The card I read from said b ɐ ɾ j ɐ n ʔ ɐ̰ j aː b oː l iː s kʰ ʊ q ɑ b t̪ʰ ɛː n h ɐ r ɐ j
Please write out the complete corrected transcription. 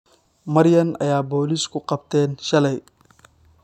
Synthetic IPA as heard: m ɐ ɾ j ɐ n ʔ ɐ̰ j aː b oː l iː s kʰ ʊ q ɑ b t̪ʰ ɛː n ʃ ɐ l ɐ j